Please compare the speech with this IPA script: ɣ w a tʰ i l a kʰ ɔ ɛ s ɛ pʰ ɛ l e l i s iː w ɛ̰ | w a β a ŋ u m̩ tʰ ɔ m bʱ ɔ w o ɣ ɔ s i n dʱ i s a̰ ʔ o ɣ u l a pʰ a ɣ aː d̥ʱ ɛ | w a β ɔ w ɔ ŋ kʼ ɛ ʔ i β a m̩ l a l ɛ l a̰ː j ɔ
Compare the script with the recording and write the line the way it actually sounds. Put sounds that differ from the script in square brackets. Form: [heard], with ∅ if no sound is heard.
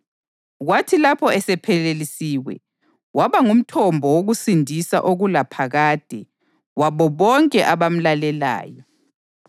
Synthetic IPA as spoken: ɣ w a tʰ i l a [pʰ] ɔ ɛ s ɛ pʰ ɛ l e l i s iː w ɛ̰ | w a β a ŋ u m̩ tʰ ɔ m bʱ ɔ w o ɣ [u] s i n dʱ i s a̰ ʔ o ɣ u l a pʰ a ɣ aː d̥ʱ ɛ | w a β ɔ [β] ɔ ŋ kʼ ɛ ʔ [a] β a m̩ l a l ɛ l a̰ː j ɔ